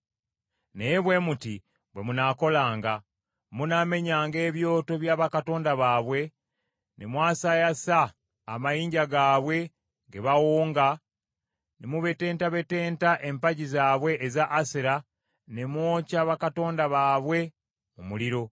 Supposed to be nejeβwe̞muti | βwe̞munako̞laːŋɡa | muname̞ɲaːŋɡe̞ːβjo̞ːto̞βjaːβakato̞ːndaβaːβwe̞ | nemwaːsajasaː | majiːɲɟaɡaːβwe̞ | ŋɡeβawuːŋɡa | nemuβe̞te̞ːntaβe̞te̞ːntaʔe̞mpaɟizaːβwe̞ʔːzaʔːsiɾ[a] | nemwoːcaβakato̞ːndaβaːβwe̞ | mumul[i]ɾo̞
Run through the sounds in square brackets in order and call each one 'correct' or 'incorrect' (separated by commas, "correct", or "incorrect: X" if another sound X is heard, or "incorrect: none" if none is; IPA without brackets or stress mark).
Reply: correct, correct